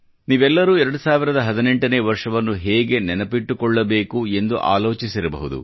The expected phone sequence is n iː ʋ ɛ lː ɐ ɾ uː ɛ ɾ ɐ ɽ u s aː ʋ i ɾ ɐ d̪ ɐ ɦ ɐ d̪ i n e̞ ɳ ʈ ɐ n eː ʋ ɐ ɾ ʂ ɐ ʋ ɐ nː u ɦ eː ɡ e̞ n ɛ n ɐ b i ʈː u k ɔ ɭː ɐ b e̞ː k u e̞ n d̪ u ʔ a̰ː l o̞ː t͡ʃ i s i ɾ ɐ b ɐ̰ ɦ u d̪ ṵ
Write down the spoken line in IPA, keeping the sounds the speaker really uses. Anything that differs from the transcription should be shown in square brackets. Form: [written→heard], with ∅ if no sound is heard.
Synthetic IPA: n iː ʋ ɛ lː ɐ ɾ uː ɛ ɾ ɐ ɽ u s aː ʋ i ɾ ɐ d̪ ɐ ɦ ɐ d̪ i n e̞ ɳ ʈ ɐ n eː ʋ ɐ ɾ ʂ ɐ ʋ ɐ nː u ɦ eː ɡ e̞ n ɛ n ɐ [b→p] i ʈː u k ɔ ɭː ɐ b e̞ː k u e̞ n d̪ u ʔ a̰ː l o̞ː t͡ʃ i s i ɾ ɐ b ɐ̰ ɦ u d̪ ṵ